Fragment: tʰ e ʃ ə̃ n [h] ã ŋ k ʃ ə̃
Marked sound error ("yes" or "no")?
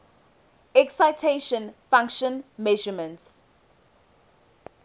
yes